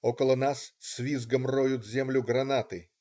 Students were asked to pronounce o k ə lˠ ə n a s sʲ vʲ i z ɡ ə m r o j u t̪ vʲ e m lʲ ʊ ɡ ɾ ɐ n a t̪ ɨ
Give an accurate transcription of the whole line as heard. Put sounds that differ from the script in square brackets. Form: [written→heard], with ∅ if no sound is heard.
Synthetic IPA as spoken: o k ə lˠ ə n a s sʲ vʲ i z ɡ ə m r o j [u→ʊ] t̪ [vʲ→zʲ] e m lʲ ʊ ɡ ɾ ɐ n a t̪ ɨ